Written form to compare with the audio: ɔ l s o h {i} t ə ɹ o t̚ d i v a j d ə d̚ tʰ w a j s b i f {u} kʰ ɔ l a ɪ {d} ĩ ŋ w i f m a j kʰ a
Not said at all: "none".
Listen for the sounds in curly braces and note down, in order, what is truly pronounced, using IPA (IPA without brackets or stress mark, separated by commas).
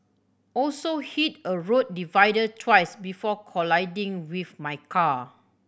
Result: i, ɔ, d